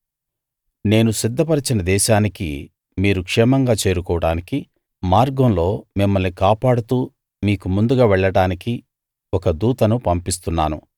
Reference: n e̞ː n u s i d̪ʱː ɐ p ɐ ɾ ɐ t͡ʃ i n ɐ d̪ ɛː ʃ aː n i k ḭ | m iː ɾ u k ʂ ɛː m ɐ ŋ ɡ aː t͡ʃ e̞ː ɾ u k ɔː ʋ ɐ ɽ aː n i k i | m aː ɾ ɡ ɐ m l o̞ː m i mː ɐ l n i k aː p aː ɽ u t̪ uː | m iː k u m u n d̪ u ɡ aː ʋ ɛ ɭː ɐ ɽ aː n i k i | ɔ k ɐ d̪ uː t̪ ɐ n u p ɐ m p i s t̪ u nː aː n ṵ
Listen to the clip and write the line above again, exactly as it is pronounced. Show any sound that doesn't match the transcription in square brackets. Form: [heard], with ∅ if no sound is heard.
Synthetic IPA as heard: n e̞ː n u s i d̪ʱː ɐ p ɐ ɾ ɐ t͡ʃ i n ɐ d̪ ɛː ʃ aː n i k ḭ | m iː ɾ u k ʂ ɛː m ɐ ŋ ɡ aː t͡ʃ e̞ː ɾ u k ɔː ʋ ɐ ɽ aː n i k i | m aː ɾ ɡ ɐ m l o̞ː m i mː ɐ l n i k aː p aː ɽ u t̪ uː | m iː k u m u n d̪ u ɡ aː ʋ ɛ ɭː ɐ ɽ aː n i k i | ɔ k ɐ d̪ uː t̪ ɐ n u p ɐ m p i s t̪ u nː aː n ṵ